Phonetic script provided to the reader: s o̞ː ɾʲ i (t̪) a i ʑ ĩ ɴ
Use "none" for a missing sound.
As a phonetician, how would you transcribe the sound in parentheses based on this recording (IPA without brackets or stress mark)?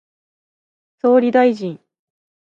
d̪